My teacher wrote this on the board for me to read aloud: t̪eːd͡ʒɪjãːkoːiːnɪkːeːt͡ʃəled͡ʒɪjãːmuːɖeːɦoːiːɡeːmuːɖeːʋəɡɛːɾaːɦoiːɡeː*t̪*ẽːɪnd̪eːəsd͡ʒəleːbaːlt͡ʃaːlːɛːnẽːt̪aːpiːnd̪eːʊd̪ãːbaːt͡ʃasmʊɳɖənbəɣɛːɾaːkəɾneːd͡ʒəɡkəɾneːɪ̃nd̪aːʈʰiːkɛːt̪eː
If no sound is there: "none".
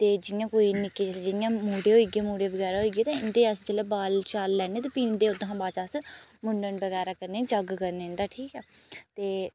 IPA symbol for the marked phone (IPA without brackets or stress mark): t̪